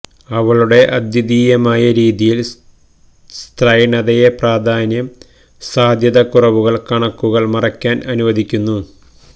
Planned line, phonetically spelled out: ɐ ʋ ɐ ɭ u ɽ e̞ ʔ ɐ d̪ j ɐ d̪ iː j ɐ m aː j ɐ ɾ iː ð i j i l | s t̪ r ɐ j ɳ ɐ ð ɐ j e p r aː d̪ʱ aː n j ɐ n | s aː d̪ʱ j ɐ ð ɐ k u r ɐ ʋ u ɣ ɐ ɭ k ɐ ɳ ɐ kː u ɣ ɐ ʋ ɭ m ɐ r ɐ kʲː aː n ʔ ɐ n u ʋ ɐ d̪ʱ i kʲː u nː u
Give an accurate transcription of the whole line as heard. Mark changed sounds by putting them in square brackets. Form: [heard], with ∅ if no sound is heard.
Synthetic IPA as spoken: ɐ ʋ ɐ ɭ u ɽ e̞ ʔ ɐ d̪ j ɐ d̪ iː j ɐ m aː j ɐ ɾ iː ð i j i l | s t̪ r ɐ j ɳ ɐ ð ɐ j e p r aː d̪ʱ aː n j ɐ [m] | s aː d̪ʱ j ɐ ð ɐ k u r ɐ ʋ u ɣ ɐ ɭ k ɐ ɳ ɐ kː u ɣ ɐ [∅] ɭ m ɐ r ɐ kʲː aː n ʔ ɐ n u ʋ ɐ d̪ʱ i kʲː u nː u

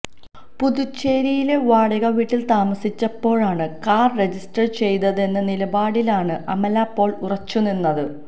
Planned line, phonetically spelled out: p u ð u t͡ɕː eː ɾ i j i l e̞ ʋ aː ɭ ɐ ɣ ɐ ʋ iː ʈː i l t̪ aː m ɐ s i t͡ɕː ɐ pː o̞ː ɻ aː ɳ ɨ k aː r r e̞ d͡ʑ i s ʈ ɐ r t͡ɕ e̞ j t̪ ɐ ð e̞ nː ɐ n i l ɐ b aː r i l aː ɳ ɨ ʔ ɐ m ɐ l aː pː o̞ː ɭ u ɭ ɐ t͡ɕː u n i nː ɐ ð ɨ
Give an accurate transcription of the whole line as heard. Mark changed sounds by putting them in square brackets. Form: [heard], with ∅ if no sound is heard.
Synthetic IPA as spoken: p u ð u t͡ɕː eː ɾ i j i l e̞ ʋ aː [ɽ] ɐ ɣ ɐ ʋ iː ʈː i l t̪ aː m ɐ s i t͡ɕː ɐ pː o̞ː ɻ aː ɳ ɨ k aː r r e̞ d͡ʑ i s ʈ ɐ r t͡ɕ e̞ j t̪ ɐ ð e̞ nː ɐ n i l ɐ b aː [ɽ] i l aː ɳ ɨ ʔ ɐ m ɐ l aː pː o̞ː ɭ u [r] ɐ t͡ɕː u n i nː ɐ ð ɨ

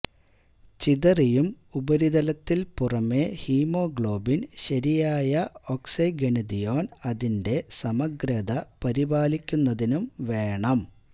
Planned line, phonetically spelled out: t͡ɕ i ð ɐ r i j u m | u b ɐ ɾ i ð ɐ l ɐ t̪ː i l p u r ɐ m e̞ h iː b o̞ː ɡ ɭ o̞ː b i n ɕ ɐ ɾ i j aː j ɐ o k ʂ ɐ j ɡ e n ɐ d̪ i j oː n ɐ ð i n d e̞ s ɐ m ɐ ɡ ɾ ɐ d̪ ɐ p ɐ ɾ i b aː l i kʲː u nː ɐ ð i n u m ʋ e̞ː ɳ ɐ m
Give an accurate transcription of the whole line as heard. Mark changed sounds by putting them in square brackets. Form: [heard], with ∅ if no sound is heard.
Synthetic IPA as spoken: t͡ɕ i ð ɐ r i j u m | u b ɐ ɾ i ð ɐ l ɐ t̪ː i l p u r ɐ m e̞ h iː [m] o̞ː ɡ ɭ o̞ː b i n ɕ ɐ ɾ i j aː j ɐ o k [s] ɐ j ɡ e n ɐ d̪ i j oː n ɐ ð i n d e̞ s ɐ m ɐ ɡ ɾ ɐ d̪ ɐ p ɐ ɾ i b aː l i kʲː u nː ɐ ð i n u m ʋ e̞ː ɳ ɐ m

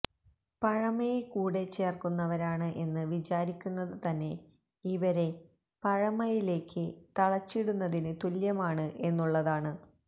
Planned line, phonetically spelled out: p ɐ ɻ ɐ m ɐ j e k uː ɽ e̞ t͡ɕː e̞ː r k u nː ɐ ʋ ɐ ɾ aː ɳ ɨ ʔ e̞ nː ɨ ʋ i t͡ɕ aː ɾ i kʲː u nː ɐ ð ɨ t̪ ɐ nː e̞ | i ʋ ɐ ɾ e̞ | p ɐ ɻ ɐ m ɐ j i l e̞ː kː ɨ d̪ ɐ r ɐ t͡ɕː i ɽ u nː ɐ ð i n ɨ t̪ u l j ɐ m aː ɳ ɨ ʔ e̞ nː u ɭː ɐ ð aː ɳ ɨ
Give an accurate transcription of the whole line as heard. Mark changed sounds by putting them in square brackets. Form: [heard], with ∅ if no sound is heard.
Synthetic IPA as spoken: p ɐ ɻ ɐ m ɐ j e k uː ɽ e̞ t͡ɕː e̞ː r k u nː ɐ ʋ ɐ ɾ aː ɳ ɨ ʔ e̞ nː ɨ ʋ i t͡ɕ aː ɾ i kʲː u nː ɐ ð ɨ t̪ ɐ nː e̞ | i ʋ ɐ ɾ e̞ | p ɐ ɻ ɐ m ɐ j i l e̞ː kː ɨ [t̪] ɐ [ɭ] ɐ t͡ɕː i ɽ u nː ɐ ð i n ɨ t̪ u l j ɐ m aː ɳ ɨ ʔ e̞ nː u ɭː ɐ ð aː ɳ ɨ

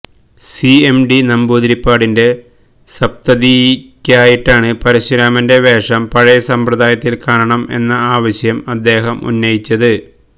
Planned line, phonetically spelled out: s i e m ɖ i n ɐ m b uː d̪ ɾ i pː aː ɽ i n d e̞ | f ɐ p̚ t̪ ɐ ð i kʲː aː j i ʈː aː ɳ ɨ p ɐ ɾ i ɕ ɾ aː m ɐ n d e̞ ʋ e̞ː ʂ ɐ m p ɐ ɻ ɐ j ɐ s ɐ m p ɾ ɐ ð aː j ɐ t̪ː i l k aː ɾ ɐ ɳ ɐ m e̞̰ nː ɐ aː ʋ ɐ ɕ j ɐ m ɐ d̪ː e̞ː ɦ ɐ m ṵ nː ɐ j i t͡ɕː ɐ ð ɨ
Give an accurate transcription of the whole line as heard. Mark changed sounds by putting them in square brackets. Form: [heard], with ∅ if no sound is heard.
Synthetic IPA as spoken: s i e m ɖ i n ɐ m b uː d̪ ɾ i pː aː ɽ i n d e̞ | [s] ɐ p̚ t̪ ɐ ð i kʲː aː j i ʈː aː ɳ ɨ p ɐ ɾ i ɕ ɾ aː m ɐ n d e̞ ʋ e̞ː ʂ ɐ m p ɐ ɻ ɐ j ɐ s ɐ m p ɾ ɐ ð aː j ɐ t̪ː i l k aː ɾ ɐ ɳ ɐ m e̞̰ nː ɐ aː ʋ ɐ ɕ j ɐ m ɐ d̪ː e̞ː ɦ ɐ m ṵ nː ɐ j i t͡ɕː ɐ ð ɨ

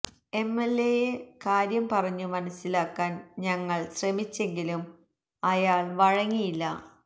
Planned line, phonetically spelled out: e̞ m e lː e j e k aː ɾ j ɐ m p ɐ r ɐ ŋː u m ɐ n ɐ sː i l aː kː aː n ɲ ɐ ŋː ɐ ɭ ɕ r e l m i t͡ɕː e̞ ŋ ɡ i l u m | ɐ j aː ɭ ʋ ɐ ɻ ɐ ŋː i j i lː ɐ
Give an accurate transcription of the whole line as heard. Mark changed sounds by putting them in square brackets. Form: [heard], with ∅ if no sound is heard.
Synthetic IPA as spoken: e̞ m e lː e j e k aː ɾ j ɐ m p ɐ r ɐ [ɲː] u m ɐ n ɐ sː i l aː kː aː n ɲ ɐ ŋː ɐ ɭ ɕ r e [∅] m i t͡ɕː e̞ ŋ ɡ i l u m | ɐ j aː ɭ ʋ ɐ ɻ ɐ ŋː i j i lː ɐ

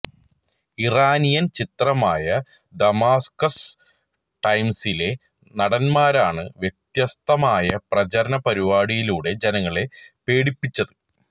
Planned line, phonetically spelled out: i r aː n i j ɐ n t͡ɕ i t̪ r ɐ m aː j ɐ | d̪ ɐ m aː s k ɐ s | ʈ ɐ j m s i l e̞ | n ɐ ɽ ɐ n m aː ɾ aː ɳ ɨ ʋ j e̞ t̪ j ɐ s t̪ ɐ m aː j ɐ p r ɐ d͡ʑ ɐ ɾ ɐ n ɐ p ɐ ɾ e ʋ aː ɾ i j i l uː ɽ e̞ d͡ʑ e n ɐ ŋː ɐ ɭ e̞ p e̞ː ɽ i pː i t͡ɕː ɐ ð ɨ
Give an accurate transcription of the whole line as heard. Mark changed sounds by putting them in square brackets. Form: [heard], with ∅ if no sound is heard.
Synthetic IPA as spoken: i r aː n i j ɐ n t͡ɕ i t̪ r ɐ m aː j ɐ | d̪ ɐ m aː s k ɐ s | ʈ ɐ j m s i l e̞ | n ɐ ɽ ɐ n m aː ɾ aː ɳ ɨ ʋ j e̞ t̪ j ɐ s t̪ ɐ m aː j ɐ p r ɐ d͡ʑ ɐ ɾ ɐ n ɐ p ɐ ɾ [i] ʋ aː [ɽ] i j i l uː ɽ e̞ d͡ʑ e n ɐ ŋː ɐ ɭ e̞ p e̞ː ɽ i pː i t͡ɕː ɐ ð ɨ

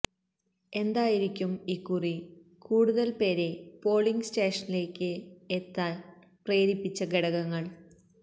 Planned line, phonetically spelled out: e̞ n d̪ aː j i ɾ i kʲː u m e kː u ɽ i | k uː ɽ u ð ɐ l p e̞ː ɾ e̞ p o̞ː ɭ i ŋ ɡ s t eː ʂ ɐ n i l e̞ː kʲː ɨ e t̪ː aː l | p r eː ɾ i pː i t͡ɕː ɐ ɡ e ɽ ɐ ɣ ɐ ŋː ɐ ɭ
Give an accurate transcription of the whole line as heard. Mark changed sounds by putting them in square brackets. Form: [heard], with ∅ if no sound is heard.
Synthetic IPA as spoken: e̞ n d̪ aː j i ɾ i kʲː u m [i] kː u [r] i | k uː ɽ u ð ɐ l p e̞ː ɾ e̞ p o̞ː ɭ i ŋ ɡ s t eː ʂ ɐ n i l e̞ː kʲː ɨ e t̪ː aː l | p r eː ɾ i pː i t͡ɕː ɐ ɡ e ɽ ɐ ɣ ɐ ŋː ɐ ɭ

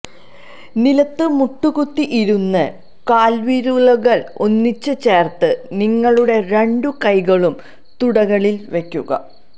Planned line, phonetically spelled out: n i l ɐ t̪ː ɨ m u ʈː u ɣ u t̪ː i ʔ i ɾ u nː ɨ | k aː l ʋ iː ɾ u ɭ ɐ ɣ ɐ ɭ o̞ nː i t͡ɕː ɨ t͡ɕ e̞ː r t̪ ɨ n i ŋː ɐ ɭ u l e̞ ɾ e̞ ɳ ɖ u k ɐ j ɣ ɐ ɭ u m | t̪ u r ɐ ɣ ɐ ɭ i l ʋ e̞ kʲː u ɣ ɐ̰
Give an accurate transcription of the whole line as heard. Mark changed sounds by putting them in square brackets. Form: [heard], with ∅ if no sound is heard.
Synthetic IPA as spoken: n i l ɐ t̪ː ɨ m u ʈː u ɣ u t̪ː i ʔ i ɾ u nː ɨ | k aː l ʋ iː ɾ u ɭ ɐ ɣ ɐ ɭ o̞ nː i t͡ɕː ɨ t͡ɕ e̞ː r t̪ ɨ n i ŋː ɐ ɭ u [ɽ] e̞ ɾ e̞ ɳ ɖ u k ɐ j ɣ ɐ ɭ u m | t̪ u [ɽ] ɐ ɣ ɐ ɭ i l ʋ e̞ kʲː u ɣ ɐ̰

